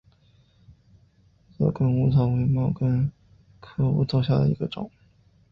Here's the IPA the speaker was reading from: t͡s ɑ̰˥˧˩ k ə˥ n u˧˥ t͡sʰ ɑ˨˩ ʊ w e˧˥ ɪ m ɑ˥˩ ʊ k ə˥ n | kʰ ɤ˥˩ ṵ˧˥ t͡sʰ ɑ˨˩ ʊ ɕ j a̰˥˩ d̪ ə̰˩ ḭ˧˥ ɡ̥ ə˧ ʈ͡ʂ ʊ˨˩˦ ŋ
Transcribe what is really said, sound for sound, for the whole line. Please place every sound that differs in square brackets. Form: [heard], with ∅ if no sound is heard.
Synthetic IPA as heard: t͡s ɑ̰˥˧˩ k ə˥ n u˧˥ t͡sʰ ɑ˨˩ ʊ w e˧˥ ɪ m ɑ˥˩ ʊ k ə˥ n | kʰ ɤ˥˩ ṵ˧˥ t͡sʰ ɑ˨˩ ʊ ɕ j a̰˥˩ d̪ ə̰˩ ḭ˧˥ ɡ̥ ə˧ ʈ͡ʂ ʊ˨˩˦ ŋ